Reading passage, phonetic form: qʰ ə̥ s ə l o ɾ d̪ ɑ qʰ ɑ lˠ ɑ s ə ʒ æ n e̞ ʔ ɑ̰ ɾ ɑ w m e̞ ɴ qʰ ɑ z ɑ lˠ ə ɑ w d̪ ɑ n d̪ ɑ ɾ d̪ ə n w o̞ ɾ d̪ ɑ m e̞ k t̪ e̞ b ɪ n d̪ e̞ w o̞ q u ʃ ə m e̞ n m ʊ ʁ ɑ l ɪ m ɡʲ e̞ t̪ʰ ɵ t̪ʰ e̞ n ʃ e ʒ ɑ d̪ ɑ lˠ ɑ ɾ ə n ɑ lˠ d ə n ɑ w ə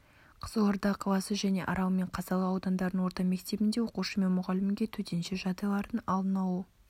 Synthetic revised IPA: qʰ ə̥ z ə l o ɾ d̪ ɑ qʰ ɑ lˠ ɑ s ə ʒ æ n e̞ ʔ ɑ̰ ɾ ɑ w m e̞ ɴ qʰ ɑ z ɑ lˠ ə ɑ w d̪ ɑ n d̪ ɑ ɾ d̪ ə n w o̞ ɾ t̪ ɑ m e̞ k t̪ e̞ b ɪ n d̪ e̞ w o̞ q u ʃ ə m e̞ n m ʊ ʁ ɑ l ɪ m ɡʲ e̞ t̪ʰ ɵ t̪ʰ e̞ n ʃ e ʒ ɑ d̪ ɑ lˠ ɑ ɾ ə n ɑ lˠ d ə n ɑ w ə